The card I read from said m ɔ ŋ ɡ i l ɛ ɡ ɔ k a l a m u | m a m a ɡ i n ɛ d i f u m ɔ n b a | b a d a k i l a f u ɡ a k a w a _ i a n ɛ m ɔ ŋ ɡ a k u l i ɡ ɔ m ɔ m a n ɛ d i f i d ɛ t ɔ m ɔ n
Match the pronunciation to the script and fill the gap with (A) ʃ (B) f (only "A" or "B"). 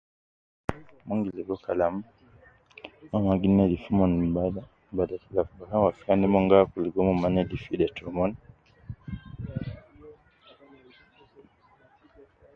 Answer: B